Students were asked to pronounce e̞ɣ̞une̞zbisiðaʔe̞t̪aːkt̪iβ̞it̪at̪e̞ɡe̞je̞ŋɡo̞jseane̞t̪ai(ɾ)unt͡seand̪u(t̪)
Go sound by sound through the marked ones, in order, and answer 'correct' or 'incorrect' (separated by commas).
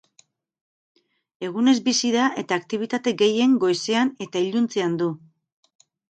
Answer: incorrect, incorrect